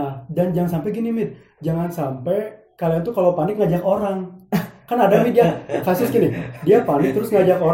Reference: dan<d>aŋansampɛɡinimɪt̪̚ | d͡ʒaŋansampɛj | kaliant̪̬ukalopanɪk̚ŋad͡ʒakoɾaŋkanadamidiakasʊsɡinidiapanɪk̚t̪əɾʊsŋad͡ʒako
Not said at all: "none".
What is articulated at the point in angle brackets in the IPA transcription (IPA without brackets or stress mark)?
d͡ʒ